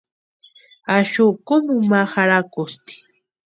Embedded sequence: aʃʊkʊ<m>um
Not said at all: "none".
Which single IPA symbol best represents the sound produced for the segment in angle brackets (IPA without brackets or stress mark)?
m